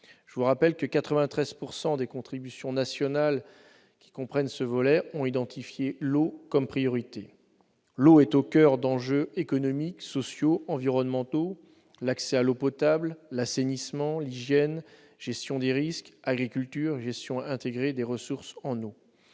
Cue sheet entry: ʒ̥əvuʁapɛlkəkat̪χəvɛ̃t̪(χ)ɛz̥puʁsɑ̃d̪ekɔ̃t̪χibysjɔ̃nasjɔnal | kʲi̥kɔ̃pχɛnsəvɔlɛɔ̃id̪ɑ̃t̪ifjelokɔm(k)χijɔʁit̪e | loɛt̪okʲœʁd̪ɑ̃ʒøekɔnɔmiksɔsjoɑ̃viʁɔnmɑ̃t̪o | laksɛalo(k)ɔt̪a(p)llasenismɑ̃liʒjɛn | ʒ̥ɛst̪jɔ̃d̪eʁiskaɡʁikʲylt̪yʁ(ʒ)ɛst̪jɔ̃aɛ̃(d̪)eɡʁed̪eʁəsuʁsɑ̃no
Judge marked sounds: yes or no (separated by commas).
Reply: yes, no, no, no, yes, no